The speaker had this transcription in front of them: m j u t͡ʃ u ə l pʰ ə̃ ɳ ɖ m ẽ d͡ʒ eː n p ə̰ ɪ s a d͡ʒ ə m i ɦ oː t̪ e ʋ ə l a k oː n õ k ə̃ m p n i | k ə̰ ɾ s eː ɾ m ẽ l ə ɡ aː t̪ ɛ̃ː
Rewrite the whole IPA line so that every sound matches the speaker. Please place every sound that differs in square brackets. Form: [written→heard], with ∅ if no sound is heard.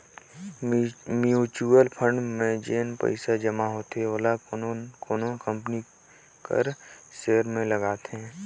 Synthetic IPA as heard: m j u t͡ʃ u ə l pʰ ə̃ ɳ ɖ m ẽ d͡ʒ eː n p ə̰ ɪ s a d͡ʒ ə m [i→a] ɦ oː t̪ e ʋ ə l a k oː n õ k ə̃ m p n i | k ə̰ ɾ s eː ɾ m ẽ l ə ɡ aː t̪ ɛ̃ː

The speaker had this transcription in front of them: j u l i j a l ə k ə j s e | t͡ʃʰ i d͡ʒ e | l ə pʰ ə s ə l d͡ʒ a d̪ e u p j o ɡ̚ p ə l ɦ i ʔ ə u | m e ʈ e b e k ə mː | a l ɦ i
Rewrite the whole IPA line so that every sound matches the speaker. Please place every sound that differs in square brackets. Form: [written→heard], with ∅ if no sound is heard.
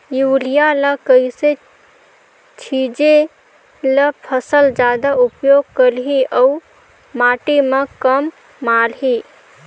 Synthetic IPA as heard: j u l i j a l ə k ə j s e | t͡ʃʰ i d͡ʒ e | l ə pʰ ə s ə l d͡ʒ a d̪ [e→a] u p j o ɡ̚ [p→k] ə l ɦ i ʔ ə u | m [e→a] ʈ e [b→m] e k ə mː | a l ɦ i

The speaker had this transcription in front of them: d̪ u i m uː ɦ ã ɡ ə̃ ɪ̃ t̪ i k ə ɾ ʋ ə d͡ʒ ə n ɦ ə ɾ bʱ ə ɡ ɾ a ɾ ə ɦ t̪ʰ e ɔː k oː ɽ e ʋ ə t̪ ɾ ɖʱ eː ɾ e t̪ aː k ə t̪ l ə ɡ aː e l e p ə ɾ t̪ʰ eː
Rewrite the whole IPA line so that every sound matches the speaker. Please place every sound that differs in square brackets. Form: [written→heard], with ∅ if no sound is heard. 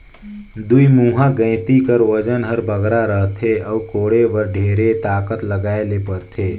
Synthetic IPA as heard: d̪ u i m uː ɦ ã ɡ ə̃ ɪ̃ t̪ i k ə ɾ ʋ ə d͡ʒ ə n ɦ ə ɾ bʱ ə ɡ ɾ a ɾ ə ɦ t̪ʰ e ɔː k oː ɽ e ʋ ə [t̪→∅] ɾ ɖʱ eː ɾ e t̪ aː k ə t̪ l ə ɡ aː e l e p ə ɾ t̪ʰ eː

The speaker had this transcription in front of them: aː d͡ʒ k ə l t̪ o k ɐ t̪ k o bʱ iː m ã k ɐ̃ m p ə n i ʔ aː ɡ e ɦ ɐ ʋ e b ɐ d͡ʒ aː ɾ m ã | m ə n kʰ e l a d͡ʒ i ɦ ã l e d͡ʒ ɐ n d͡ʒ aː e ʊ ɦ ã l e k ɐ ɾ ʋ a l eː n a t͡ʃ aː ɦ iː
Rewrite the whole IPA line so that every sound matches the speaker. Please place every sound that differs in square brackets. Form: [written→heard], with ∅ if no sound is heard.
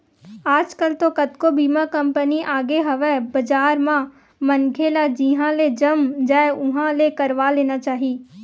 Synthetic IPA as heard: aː d͡ʒ k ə l t̪ o k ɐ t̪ k o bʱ iː m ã k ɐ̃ m p ə n i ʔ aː ɡ e ɦ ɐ ʋ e b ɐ d͡ʒ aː ɾ m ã | m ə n kʰ e l a d͡ʒ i ɦ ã l e d͡ʒ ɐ [n→m] d͡ʒ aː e ʊ ɦ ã l e k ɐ ɾ ʋ a l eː n a t͡ʃ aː ɦ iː

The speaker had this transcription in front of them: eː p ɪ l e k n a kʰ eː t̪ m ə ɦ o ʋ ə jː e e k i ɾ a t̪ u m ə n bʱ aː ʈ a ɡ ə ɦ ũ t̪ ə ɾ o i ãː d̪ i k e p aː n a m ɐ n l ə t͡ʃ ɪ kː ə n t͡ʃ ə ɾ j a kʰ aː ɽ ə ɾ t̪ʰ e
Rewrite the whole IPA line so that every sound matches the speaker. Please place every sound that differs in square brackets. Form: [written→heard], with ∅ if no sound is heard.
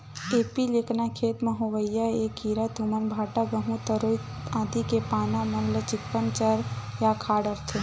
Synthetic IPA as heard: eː p [ɪ→i] l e k n a kʰ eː t̪ m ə ɦ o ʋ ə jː [e→a] e k i ɾ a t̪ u m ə n bʱ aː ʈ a ɡ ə ɦ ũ t̪ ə ɾ o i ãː d̪ i k e p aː n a m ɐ n l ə t͡ʃ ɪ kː ə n t͡ʃ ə ɾ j a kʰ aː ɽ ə ɾ t̪ʰ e

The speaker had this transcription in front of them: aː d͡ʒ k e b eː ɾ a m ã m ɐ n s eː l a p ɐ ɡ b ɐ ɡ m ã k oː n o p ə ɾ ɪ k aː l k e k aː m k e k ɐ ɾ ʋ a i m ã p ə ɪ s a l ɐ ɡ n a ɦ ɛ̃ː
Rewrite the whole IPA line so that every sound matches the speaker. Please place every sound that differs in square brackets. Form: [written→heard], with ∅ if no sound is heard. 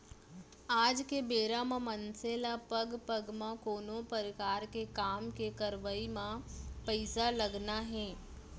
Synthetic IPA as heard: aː d͡ʒ k e b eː ɾ a m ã m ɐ n s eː l a p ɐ ɡ [b→p] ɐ ɡ m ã k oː n o p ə ɾ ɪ k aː [l→ɾ] k e k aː m k e k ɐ ɾ ʋ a i m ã p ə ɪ s a l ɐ ɡ n a ɦ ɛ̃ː

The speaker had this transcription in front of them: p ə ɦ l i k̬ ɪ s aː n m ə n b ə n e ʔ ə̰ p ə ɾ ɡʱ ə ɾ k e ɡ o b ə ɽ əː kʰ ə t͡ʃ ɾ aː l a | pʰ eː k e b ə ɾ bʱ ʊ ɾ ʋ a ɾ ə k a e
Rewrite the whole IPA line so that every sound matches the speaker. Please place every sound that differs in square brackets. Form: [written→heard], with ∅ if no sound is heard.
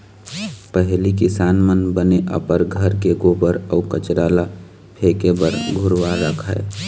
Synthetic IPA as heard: p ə ɦ l i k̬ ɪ s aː n m ə n b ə n e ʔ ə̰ p ə ɾ ɡʱ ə ɾ k e ɡ o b ə [ɽ→ɾ] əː [kʰ→k] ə t͡ʃ ɾ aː l a | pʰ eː k e b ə ɾ [bʱ→ɡʱ] ʊ ɾ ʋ a ɾ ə [k→kʰ] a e

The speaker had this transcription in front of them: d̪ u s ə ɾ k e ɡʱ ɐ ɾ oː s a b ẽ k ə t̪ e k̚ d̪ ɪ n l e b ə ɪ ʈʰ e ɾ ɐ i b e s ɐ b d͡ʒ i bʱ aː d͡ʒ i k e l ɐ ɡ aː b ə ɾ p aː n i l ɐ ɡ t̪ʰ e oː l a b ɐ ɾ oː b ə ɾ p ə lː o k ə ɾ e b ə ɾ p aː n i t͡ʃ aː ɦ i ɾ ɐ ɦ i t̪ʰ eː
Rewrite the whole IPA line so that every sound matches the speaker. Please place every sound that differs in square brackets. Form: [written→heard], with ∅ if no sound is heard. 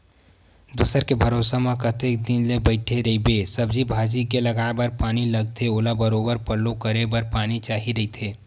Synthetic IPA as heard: d̪ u s ə ɾ k e [ɡʱ→bʱ] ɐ ɾ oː s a [b→m] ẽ k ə t̪ e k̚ d̪ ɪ n l e b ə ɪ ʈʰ e ɾ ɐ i b e s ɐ b d͡ʒ i bʱ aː d͡ʒ i k e l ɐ ɡ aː b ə ɾ p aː n i l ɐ ɡ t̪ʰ e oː l a b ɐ ɾ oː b ə ɾ p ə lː o k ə ɾ e b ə ɾ p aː n i t͡ʃ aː ɦ i ɾ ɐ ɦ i t̪ʰ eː

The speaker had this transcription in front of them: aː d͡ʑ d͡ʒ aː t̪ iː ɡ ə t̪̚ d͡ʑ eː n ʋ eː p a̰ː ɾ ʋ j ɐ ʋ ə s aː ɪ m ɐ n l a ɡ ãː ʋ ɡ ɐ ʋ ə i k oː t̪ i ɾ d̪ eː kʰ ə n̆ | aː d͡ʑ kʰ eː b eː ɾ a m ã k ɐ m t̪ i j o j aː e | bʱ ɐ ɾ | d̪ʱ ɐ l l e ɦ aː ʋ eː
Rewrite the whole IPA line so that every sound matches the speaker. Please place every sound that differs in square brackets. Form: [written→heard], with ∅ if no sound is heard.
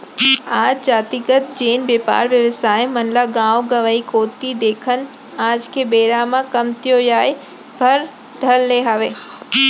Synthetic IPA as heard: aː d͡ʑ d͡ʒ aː t̪ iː ɡ ə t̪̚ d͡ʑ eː n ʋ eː p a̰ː ɾ ʋ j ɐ ʋ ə s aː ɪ m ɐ n l a ɡ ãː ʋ ɡ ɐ ʋ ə i k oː t̪ i [ɾ→∅] d̪ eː kʰ ə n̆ | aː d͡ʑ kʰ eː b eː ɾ a m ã k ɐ m t̪ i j o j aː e | bʱ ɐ ɾ | d̪ʱ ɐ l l e ɦ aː ʋ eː

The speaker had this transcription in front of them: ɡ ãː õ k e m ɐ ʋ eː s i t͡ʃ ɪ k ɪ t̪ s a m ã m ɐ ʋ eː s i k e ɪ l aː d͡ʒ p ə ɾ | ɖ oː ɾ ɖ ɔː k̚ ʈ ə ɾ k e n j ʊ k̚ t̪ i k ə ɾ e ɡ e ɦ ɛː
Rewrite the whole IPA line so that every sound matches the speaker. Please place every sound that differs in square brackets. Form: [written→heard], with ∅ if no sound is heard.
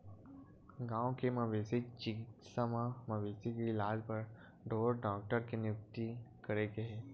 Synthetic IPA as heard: ɡ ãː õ k e m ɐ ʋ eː s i t͡ʃ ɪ k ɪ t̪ s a m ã m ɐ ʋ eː s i k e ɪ l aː d͡ʒ p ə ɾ | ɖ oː ɾ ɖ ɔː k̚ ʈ ə ɾ k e n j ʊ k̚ t̪ i k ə ɾ e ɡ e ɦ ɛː

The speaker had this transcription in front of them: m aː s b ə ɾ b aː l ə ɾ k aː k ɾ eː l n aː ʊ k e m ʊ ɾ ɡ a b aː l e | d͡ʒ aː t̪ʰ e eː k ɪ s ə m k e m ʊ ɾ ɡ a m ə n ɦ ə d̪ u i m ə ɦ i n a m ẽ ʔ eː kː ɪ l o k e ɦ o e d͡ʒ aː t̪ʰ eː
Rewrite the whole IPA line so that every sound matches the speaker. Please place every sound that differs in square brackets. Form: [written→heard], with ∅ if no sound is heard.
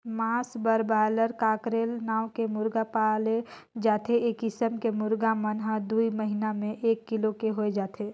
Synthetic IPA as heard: m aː s b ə ɾ b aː l ə ɾ k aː k ɾ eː l n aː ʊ k e m ʊ ɾ ɡ a [b→p] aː l e | d͡ʒ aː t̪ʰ e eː k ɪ s ə m k e m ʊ ɾ ɡ a m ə n ɦ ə d̪ u i m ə ɦ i n a m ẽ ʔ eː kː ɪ l o k e ɦ o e d͡ʒ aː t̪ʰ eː

